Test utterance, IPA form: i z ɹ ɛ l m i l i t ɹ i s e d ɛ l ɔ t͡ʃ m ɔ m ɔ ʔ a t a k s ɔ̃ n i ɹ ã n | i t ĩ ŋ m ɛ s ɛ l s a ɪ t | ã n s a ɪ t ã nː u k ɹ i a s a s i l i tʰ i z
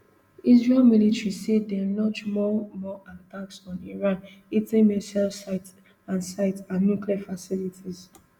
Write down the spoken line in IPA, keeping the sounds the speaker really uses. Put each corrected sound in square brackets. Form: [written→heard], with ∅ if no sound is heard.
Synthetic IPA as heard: i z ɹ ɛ l m i l i t ɹ i s e d ɛ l ɔ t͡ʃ m ɔ m ɔ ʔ a t a k s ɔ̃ n i ɹ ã n | i t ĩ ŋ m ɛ s ɛ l s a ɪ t | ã n s a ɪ t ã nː u k [ɹ→l] i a [s→f] a s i l i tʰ i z